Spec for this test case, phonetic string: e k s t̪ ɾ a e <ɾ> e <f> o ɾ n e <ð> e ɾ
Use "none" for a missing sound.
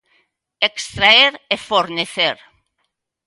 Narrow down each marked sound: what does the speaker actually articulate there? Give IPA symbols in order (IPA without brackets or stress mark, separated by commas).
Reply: ɾ, f, θ